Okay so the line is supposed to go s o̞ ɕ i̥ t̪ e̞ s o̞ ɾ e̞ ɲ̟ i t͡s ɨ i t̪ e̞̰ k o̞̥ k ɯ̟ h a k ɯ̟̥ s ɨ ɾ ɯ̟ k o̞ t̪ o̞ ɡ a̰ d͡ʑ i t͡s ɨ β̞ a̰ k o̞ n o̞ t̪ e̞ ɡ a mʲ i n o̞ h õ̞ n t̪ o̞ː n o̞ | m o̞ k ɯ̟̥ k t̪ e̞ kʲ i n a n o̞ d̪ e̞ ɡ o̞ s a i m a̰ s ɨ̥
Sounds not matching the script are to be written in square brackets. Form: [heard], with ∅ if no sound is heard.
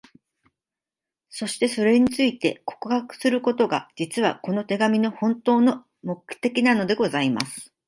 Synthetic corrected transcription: s o̞ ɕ i̥ t̪ e̞ s o̞ ɾ e̞ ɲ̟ i t͡s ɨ i t̪ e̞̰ k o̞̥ k ɯ̟ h a k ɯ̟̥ s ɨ ɾ ɯ̟ k o̞ t̪ o̞ ɡ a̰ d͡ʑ i t͡s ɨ β̞ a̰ k o̞ n o̞ t̪ e̞ ɡ a mʲ i n o̞ h õ̞ n t̪ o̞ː n o̞ | m o̞ k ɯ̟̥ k t̪ e̞ kʲ i n a n o̞ d̪ e̞ ɡ o̞ [z] a i m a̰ s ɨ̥